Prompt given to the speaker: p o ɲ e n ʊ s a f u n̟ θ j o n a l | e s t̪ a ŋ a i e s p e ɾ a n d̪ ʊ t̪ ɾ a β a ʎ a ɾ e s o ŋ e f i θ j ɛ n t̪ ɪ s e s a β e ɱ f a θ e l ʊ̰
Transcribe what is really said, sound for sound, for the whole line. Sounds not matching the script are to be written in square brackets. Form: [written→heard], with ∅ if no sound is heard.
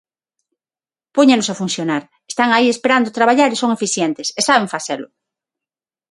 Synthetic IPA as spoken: p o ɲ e n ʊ s a f u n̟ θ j o n a [l→ɾ] | e s t̪ a ŋ a i e s p e ɾ a n d̪ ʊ t̪ ɾ a β a ʎ a ɾ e s o ŋ e f i θ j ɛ n t̪ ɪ s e s a β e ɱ f a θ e l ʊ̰